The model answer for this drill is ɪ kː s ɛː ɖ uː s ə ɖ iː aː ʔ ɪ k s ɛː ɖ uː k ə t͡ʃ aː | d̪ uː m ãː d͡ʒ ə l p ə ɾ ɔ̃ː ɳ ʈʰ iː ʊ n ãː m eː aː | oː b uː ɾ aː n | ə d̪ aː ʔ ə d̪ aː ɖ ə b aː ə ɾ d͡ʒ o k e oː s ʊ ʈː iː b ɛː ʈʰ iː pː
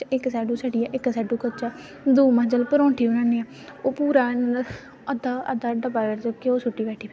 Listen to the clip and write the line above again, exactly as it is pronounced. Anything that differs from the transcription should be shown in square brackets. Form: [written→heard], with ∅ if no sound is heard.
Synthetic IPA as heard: ɪ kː s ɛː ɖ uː s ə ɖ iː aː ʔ ɪ k s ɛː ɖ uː k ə t͡ʃ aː | d̪ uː m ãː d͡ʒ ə l p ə ɾ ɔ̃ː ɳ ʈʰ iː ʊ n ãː [m→n] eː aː | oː [b→p] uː ɾ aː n | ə d̪ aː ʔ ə d̪ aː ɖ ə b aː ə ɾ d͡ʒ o k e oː s ʊ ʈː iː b ɛː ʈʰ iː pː